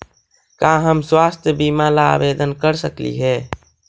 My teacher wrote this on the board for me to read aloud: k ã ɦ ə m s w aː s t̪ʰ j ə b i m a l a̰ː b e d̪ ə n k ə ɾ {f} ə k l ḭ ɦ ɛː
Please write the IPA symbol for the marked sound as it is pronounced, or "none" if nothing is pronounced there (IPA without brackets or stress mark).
s